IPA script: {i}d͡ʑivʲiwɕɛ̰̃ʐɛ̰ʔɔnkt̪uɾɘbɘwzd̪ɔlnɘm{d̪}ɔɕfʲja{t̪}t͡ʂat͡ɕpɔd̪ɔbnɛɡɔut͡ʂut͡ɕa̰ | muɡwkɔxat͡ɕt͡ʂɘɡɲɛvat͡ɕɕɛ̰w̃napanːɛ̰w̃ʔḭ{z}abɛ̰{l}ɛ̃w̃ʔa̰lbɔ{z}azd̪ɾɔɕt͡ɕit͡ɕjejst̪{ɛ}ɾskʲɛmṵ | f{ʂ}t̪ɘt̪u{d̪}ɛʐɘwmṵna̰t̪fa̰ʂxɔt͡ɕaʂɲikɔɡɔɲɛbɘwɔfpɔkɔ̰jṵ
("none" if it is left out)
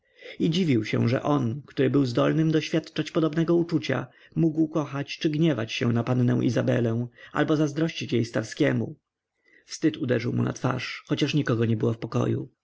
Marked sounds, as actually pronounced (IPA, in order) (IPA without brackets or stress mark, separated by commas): i, d̪, t̪, z, l, z, a, s, d̪